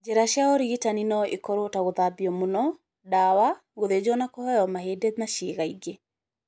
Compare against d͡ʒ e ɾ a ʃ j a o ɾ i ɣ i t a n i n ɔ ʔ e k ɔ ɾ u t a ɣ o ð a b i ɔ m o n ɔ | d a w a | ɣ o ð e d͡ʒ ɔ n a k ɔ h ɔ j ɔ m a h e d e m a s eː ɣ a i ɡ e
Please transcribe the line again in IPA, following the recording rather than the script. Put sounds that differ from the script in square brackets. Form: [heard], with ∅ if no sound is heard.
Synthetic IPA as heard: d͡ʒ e ɾ a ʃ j a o ɾ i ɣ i t a n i n ɔ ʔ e k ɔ ɾ [o] t a ɣ o ð a b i ɔ m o n ɔ | d a w a | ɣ o ð e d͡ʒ ɔ n a k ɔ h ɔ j ɔ m a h e d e m a [ʃ] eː ɣ a i ɡ e